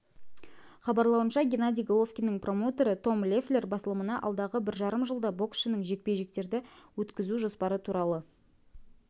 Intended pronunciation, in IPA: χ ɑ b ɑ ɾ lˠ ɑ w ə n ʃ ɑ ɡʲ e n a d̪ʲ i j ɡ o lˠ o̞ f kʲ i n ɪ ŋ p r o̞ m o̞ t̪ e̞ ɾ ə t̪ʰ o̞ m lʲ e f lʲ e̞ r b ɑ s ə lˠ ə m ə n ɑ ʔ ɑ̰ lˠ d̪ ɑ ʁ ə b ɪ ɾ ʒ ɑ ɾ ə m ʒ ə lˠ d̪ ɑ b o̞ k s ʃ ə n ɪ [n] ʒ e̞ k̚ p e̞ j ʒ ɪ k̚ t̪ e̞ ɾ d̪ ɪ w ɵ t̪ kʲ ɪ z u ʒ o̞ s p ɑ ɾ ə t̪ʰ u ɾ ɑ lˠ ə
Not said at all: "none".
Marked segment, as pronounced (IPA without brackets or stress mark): ŋ